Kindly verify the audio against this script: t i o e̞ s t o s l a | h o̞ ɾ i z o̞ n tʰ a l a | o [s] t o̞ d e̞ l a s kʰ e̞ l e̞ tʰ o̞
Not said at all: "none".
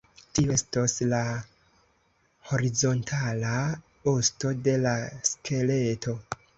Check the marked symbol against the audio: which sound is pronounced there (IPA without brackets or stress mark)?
s